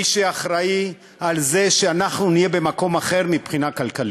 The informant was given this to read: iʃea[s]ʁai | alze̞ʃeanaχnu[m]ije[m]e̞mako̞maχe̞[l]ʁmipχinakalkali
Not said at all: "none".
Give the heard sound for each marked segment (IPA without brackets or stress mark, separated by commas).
χ, n, b, none